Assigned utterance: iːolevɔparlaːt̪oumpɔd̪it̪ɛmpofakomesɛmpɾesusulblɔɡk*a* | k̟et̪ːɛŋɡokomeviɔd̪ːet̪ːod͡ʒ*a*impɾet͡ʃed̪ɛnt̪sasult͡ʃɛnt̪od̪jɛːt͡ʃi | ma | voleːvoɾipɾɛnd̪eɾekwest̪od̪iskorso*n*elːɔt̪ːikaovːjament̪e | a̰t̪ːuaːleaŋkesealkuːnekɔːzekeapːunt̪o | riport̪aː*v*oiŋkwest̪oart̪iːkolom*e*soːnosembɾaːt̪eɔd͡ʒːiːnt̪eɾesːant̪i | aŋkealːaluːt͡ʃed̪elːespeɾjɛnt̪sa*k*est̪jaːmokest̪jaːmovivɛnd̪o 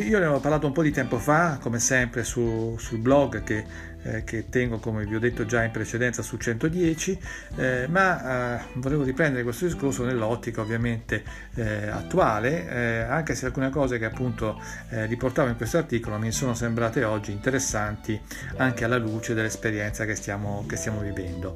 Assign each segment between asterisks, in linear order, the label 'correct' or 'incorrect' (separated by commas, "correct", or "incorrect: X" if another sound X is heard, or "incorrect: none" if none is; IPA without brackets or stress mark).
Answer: incorrect: e, correct, correct, correct, incorrect: i, correct